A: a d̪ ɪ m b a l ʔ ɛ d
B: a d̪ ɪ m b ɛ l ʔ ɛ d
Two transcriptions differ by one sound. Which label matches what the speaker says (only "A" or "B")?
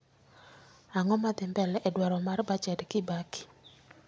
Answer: B